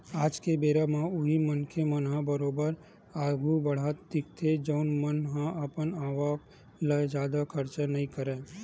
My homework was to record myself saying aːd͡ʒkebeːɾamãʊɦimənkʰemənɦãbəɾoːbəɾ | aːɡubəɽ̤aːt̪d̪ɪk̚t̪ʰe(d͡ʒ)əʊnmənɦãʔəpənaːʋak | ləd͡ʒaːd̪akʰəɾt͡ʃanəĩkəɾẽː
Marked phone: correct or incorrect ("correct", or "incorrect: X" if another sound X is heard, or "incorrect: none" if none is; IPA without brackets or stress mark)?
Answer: correct